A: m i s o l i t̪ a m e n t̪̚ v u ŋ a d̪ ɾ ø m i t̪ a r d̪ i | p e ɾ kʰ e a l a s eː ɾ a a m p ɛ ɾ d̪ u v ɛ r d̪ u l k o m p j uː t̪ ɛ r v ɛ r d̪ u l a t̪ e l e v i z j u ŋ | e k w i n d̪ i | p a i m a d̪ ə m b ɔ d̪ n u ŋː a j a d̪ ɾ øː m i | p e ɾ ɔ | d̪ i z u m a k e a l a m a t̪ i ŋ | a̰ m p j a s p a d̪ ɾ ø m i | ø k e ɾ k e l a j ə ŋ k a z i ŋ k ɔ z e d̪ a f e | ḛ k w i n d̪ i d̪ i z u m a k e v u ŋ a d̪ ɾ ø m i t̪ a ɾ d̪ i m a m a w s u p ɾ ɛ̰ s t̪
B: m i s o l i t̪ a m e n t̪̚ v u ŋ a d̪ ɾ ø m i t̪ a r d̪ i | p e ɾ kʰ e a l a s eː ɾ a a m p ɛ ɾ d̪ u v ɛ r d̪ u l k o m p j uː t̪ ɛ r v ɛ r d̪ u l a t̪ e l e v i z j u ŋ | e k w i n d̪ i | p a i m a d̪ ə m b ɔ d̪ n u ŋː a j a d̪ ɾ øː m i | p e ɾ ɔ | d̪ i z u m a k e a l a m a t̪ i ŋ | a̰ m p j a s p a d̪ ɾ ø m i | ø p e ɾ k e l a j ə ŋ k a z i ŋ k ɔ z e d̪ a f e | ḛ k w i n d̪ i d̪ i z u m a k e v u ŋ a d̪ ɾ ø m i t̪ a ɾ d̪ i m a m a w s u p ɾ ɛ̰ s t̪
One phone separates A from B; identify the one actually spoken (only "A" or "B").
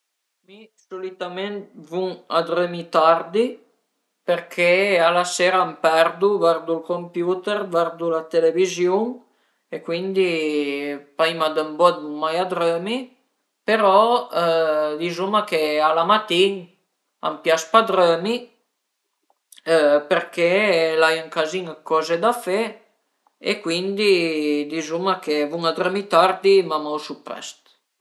B